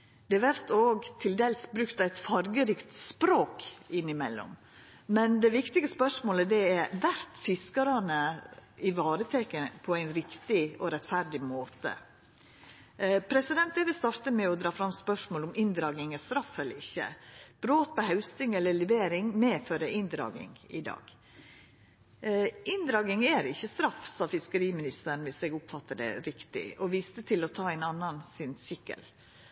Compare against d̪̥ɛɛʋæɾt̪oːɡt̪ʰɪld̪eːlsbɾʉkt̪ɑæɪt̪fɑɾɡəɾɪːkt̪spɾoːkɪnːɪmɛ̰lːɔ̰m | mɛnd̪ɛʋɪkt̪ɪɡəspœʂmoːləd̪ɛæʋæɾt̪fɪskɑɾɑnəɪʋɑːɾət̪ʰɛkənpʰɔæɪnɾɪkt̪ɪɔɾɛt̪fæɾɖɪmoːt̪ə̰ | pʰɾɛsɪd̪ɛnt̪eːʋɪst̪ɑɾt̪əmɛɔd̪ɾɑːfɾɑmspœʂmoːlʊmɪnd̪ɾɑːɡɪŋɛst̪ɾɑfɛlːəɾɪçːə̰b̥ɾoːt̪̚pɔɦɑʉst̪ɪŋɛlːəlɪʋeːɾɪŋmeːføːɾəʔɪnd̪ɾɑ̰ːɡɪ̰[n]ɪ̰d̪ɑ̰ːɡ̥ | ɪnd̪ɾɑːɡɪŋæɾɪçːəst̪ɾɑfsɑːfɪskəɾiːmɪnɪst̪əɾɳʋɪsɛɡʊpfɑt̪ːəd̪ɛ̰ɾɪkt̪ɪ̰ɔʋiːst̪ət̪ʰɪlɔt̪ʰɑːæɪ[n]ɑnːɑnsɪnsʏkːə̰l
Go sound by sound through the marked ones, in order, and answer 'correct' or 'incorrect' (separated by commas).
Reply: incorrect, correct